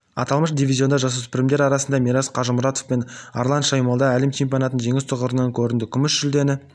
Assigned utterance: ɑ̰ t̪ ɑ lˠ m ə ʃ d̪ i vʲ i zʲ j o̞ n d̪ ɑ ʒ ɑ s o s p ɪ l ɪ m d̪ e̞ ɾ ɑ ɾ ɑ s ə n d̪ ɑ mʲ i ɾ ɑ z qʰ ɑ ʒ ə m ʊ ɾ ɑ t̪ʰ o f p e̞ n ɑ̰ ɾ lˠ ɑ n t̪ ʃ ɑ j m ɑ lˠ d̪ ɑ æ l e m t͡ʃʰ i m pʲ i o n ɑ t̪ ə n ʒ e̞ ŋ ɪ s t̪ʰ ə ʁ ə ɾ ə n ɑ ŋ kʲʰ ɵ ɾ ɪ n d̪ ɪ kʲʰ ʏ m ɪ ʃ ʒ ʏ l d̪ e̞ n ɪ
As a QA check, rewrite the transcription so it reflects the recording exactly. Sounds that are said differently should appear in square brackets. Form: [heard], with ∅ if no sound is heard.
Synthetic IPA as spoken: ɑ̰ t̪ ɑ lˠ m ə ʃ d̪ i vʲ i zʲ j o̞ n d̪ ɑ ʒ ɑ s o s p ɪ [ɾ] ɪ m d̪ e̞ ɾ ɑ ɾ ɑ s ə n d̪ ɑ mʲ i ɾ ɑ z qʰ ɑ ʒ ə m ʊ ɾ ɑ [t̪] o f p e̞ n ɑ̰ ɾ lˠ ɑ n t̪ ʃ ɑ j m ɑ lˠ d̪ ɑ æ l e m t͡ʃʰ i m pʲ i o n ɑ t̪ ə n ʒ e̞ ŋ ɪ s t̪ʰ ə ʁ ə ɾ ə n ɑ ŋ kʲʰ ɵ ɾ ɪ n d̪ ɪ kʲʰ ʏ m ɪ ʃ ʒ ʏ l d̪ e̞ n ɪ